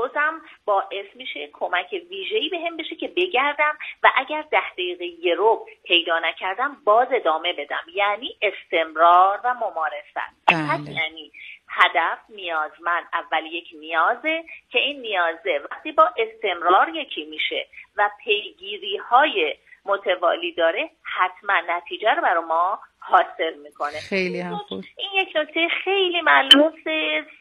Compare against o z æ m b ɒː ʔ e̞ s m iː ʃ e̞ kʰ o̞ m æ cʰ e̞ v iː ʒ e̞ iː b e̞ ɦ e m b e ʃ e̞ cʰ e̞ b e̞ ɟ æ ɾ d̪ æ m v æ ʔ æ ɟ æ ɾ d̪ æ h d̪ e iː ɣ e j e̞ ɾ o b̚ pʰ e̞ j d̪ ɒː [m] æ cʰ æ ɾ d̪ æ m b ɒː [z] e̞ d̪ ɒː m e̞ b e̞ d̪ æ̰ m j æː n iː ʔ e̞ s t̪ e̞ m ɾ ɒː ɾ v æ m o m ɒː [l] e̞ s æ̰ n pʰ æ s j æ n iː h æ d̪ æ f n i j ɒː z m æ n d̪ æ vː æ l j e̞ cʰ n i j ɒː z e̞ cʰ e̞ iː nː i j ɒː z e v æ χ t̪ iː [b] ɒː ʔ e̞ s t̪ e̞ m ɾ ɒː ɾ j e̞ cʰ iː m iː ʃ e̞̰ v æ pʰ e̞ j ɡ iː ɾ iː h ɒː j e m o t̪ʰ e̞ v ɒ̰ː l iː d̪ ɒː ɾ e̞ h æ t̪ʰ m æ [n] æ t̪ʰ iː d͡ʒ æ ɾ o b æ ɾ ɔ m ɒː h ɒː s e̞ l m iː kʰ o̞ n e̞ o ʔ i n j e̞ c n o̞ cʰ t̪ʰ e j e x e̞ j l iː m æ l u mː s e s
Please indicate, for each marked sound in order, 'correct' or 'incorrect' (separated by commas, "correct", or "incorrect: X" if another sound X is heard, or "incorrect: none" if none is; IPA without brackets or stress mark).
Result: incorrect: n, correct, incorrect: ɾ, correct, incorrect: nː